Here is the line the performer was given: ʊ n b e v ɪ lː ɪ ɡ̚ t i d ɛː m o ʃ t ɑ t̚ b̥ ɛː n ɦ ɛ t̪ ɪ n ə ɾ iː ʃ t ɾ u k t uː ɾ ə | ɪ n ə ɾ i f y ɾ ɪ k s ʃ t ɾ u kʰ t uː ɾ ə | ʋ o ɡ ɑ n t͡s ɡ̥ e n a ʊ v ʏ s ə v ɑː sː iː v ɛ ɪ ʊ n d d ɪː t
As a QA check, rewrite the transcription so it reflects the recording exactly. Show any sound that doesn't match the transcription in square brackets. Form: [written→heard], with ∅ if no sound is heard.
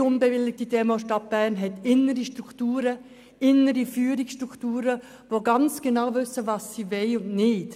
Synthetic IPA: ʊ n b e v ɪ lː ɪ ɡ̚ t i d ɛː m o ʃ t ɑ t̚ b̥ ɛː n ɦ ɛ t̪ ɪ n ə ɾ [iː→i] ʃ t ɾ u k t uː ɾ ə | ɪ n ə ɾ i f [y→yː] ɾ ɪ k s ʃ t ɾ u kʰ t uː ɾ ə | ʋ o ɡ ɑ n t͡s ɡ̥ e n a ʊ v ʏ s ə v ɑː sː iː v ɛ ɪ ʊ n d [d→n] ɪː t